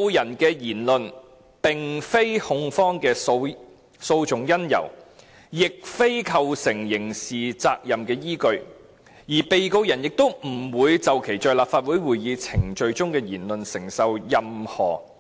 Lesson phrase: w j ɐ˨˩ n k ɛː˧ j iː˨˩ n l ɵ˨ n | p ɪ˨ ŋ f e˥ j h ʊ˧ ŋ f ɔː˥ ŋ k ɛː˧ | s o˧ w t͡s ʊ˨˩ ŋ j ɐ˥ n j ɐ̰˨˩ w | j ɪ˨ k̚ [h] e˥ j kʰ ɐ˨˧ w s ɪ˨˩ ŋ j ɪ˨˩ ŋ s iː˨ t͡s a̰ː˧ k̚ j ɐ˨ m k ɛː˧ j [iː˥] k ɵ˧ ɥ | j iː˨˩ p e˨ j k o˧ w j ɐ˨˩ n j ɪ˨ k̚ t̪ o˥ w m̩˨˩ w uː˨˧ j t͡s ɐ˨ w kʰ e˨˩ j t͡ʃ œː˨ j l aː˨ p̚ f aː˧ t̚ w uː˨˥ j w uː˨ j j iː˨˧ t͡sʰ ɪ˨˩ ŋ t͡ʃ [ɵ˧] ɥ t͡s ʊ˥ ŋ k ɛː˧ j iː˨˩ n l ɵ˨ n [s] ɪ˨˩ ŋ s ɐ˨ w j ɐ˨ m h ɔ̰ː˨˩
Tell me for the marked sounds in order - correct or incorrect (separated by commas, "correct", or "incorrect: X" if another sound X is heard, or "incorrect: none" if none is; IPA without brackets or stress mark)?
incorrect: f, correct, correct, correct